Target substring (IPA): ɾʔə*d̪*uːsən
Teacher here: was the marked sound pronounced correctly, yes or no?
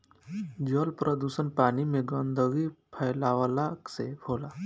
yes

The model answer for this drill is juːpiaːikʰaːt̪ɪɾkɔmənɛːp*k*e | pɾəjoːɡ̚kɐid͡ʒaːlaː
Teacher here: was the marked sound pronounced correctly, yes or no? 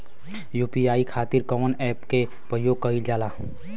yes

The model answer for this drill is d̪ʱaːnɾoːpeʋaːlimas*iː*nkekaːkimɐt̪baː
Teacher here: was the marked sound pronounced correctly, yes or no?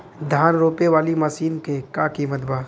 yes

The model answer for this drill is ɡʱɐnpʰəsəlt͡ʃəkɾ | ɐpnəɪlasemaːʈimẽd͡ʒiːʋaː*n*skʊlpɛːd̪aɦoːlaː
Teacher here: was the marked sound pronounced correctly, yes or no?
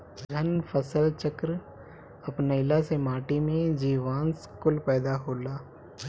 yes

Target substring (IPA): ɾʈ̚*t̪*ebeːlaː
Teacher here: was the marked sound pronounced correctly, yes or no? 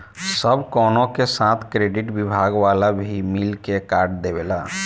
no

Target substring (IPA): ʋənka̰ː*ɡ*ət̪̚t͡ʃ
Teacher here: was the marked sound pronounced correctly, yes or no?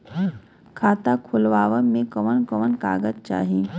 yes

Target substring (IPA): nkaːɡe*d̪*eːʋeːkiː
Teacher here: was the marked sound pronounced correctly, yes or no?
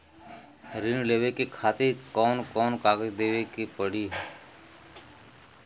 yes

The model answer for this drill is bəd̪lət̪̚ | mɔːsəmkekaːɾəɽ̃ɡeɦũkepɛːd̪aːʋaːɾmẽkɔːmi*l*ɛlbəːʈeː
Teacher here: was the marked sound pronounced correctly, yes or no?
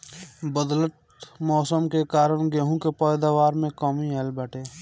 no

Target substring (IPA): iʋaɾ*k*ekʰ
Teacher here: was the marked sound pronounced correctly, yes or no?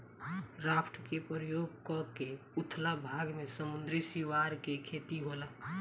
yes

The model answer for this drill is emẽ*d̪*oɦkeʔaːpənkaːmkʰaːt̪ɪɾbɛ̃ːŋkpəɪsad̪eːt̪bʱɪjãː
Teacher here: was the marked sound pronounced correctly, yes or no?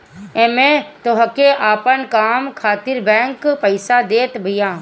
no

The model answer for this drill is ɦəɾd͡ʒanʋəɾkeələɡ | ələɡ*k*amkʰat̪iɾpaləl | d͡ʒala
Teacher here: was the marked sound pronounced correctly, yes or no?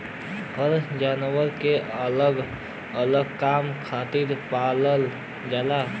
yes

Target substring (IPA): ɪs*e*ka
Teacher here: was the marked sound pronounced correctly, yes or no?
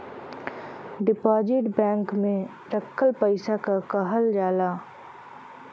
no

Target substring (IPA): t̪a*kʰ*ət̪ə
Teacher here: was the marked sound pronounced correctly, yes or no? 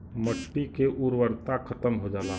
yes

